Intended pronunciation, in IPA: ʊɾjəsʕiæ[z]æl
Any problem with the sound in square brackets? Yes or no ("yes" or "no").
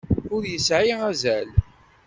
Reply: no